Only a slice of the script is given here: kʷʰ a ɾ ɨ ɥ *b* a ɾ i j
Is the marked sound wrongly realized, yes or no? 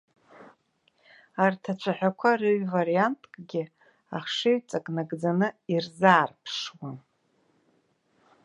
yes